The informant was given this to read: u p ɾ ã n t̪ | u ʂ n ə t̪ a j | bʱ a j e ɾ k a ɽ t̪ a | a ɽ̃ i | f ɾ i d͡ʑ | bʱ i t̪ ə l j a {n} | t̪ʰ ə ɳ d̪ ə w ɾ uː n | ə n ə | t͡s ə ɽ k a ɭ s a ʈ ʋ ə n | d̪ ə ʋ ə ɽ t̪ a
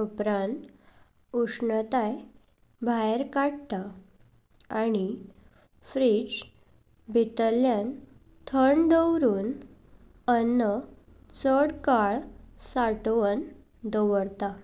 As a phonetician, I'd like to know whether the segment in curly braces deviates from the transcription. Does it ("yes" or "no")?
no